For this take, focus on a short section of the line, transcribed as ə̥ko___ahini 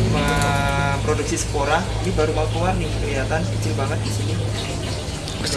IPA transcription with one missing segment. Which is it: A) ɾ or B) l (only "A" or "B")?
A